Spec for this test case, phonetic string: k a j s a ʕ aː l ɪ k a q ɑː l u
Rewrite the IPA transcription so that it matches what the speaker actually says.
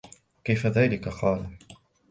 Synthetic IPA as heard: k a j f a ð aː l ɪ k a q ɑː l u